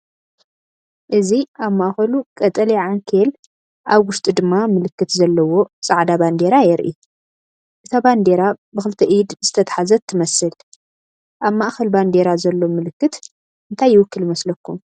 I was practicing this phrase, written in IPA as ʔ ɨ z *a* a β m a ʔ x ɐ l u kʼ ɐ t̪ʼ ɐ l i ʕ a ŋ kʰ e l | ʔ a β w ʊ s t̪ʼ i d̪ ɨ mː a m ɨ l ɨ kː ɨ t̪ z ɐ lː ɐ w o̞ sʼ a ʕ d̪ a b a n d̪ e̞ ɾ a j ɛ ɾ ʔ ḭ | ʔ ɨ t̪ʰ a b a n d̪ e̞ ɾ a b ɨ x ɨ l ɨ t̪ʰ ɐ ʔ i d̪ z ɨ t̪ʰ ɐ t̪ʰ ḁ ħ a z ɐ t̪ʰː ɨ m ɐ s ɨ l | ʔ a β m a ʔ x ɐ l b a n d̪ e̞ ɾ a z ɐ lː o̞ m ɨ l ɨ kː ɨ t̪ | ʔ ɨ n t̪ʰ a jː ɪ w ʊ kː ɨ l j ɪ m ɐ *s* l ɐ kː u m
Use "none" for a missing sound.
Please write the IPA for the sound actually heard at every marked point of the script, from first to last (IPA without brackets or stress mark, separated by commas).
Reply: i, s